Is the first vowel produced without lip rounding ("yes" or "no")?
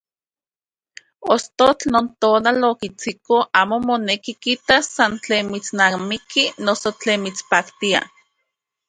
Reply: no